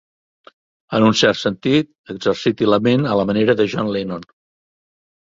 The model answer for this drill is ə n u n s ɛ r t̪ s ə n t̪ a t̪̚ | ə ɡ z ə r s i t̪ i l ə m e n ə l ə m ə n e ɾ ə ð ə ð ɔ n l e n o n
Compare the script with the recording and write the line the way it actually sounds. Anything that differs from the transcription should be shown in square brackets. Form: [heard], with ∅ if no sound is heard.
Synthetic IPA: ə n u n s ɛ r t̪ s ə n t̪ [i] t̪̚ | ə ɡ z ə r s i t̪ i l ə m e n ə l ə m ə n e ɾ ə ð ə [ʒ] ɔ n l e n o n